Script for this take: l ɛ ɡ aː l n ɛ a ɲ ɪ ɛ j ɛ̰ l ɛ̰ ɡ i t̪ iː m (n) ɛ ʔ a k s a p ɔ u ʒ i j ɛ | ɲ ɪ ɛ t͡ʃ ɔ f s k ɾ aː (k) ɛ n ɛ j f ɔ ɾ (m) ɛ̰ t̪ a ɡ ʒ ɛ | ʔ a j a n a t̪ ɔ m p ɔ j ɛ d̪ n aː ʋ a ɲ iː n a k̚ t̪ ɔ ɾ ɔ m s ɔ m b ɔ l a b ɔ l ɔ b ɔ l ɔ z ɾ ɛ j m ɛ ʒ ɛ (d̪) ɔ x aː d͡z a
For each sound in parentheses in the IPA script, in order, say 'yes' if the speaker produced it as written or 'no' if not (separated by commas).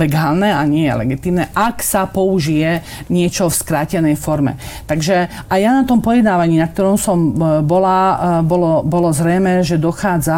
yes, no, yes, yes